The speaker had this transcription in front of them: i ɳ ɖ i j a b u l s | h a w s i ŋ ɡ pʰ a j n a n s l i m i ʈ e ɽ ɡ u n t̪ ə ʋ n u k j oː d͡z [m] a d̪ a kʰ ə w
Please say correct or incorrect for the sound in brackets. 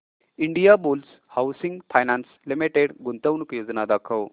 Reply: incorrect: n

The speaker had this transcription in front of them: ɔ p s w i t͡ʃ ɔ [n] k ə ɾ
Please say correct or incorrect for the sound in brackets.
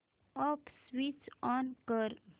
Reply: correct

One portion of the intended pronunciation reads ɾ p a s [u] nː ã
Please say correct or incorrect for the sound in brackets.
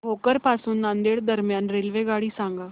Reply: incorrect: uː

